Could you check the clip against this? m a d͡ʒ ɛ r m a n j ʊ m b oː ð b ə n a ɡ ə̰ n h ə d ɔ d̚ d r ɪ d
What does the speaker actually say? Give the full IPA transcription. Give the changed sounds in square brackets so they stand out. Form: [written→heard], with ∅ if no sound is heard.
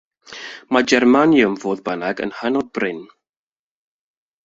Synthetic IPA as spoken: m a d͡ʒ ɛ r m a n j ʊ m [b→v] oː ð b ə n a ɡ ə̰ n h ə [d→n] ɔ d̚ [d→b] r ɪ [d→n]